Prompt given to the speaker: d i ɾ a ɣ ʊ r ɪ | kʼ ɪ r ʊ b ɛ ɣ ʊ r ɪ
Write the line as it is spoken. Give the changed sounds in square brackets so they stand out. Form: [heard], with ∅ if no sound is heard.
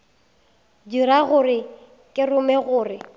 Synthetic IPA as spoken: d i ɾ a ɣ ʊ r ɪ | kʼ ɪ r ʊ [m] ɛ ɣ [ʊː] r ɪ